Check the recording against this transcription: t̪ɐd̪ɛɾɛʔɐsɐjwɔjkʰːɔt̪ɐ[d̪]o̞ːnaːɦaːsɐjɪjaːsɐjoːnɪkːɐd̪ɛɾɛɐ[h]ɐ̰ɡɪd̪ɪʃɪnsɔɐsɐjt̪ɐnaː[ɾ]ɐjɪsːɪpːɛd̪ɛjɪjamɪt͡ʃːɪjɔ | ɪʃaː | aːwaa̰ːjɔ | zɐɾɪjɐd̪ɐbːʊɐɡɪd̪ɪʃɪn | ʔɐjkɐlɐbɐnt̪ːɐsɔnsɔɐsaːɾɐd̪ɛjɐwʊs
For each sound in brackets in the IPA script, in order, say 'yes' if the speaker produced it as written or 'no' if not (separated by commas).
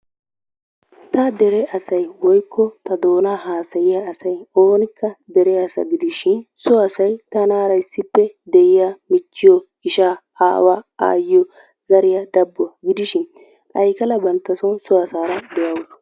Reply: yes, no, yes